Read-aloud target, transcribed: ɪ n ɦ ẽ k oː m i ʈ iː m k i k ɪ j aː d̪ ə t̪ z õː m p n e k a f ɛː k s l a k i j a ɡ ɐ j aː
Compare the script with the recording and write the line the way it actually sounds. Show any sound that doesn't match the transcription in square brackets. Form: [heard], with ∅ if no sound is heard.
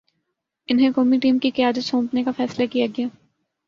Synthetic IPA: ɪ n ɦ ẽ k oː m i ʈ iː m k i k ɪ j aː d̪ ə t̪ [s] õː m p n e k a f ɛː [∅] s l a k i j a ɡ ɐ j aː